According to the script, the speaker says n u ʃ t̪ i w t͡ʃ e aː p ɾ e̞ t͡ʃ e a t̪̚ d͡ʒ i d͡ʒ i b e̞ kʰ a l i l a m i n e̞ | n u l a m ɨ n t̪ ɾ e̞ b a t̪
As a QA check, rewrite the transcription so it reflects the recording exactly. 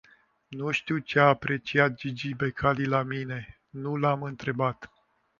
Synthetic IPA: n u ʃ t̪ i w t͡ʃ e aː p ɾ e̞ t͡ʃ i a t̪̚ d͡ʒ i d͡ʒ i b e̞ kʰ a l i l a m i n e̞ | n u l a m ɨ n t̪ ɾ e̞ b a t̪